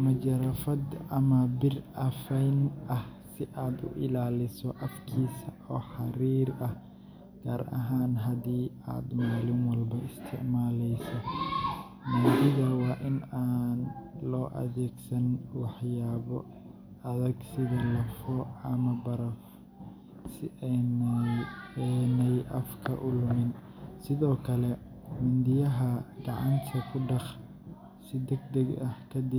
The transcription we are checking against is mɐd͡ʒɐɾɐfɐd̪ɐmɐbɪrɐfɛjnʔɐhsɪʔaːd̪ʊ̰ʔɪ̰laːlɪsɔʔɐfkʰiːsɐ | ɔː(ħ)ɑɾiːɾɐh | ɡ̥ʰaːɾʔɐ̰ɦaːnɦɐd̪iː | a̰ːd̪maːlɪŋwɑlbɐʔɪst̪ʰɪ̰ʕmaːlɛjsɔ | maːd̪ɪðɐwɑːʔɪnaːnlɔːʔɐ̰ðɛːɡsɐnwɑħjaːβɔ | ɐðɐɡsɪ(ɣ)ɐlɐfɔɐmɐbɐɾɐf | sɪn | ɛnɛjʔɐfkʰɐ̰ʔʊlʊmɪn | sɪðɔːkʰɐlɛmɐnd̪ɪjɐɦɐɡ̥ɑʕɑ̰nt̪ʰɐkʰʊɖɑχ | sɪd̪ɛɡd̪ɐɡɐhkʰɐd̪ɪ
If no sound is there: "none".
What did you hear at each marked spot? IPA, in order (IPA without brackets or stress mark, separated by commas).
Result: ħ, ð